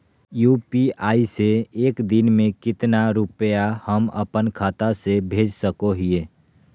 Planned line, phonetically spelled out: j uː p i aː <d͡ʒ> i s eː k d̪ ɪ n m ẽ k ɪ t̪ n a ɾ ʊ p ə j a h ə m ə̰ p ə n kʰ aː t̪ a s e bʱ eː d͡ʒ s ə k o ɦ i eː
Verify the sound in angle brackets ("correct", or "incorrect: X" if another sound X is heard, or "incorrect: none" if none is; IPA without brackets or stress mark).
incorrect: none